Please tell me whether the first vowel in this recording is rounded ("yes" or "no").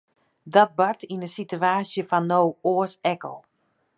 yes